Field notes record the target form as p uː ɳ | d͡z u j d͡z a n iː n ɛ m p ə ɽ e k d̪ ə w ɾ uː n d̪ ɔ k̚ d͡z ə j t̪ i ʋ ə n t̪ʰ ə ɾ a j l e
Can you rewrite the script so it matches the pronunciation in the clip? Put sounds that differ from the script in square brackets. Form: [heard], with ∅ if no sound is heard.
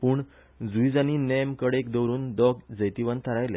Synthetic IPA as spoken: p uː ɳ | d͡z u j d͡z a n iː n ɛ m [k] ə ɽ e k d̪ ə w ɾ uː n d̪ ɔ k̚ d͡z ə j t̪ i ʋ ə n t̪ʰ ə ɾ a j l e